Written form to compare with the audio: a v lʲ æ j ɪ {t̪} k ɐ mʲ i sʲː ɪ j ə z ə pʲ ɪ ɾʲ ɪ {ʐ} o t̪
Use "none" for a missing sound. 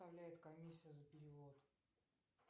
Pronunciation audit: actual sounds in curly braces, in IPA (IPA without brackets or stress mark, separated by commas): t̪, v